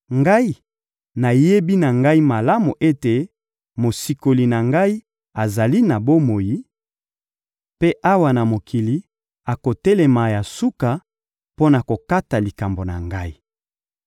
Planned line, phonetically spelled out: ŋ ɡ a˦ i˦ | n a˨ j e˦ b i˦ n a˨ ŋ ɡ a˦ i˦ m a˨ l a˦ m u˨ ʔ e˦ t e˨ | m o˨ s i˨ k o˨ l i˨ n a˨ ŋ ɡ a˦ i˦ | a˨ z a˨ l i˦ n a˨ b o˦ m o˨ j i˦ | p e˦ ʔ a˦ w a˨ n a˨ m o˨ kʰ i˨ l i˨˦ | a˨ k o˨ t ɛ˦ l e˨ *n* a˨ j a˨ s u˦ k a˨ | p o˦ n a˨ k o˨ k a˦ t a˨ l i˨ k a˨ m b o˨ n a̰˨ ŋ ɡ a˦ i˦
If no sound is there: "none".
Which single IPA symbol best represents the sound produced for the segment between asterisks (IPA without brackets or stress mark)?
m